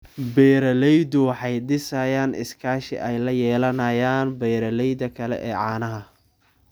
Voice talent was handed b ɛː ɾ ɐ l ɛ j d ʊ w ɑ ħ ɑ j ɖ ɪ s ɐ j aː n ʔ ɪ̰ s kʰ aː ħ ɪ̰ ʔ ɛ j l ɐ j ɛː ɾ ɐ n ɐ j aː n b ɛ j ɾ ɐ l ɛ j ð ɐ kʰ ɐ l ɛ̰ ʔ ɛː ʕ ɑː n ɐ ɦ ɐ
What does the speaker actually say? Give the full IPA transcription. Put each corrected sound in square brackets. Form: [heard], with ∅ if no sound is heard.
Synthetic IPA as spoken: b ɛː ɾ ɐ l ɛ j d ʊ w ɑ ħ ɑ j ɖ ɪ s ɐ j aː n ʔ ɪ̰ s kʰ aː [ʃ] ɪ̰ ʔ ɛ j l ɐ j ɛː [l] ɐ n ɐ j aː n b ɛ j ɾ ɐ l ɛ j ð ɐ kʰ ɐ l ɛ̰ ʔ ɛː ʕ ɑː n ɐ ɦ ɐ